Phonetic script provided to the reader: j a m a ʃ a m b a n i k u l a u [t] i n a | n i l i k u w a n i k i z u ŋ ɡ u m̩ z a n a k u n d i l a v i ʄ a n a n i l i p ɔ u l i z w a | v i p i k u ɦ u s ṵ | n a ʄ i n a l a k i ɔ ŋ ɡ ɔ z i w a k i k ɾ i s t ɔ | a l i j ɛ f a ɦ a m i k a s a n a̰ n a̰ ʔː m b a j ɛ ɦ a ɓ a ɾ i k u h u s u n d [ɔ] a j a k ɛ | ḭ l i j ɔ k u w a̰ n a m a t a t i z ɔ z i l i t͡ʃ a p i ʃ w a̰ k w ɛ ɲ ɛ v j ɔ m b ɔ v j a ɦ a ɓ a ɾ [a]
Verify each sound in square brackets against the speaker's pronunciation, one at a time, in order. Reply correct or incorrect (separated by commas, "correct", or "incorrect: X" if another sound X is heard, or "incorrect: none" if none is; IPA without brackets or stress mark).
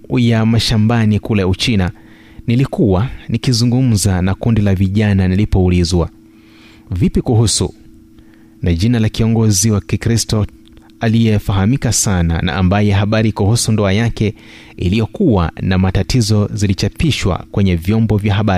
incorrect: t͡ʃ, correct, incorrect: i